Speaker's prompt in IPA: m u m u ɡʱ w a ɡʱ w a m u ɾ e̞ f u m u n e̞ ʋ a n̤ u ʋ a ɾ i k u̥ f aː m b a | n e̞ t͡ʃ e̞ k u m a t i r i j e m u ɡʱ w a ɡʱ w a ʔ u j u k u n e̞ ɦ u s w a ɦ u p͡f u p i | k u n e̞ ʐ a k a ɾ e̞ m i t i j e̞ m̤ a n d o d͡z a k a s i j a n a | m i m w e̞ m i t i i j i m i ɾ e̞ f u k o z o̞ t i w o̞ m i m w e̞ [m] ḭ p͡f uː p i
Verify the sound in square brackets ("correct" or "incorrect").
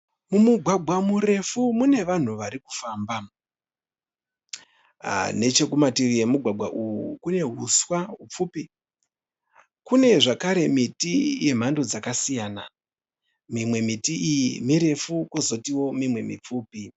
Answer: correct